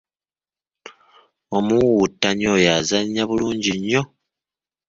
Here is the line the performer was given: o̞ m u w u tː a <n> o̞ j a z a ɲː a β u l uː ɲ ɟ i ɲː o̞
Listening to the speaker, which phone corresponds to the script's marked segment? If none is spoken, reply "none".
ɲ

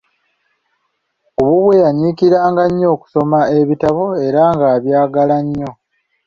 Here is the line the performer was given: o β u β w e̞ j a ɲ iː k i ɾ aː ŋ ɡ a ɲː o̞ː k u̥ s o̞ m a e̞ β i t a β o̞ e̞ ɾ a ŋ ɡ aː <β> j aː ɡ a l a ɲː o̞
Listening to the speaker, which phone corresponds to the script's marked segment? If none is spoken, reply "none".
β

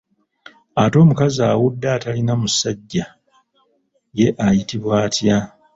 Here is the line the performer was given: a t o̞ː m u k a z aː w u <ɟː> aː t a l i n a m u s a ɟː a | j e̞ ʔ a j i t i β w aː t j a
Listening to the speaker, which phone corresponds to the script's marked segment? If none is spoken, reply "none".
dː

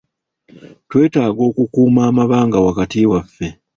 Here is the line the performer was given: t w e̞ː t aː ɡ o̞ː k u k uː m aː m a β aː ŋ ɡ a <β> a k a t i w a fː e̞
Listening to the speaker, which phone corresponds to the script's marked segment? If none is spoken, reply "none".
w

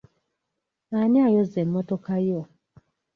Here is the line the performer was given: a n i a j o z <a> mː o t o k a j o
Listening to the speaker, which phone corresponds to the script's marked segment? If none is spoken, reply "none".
e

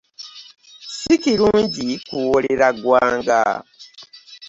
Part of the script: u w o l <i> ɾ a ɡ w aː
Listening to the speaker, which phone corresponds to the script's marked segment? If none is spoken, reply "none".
e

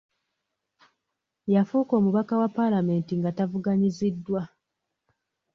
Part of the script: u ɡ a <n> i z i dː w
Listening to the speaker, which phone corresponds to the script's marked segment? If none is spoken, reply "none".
ɲ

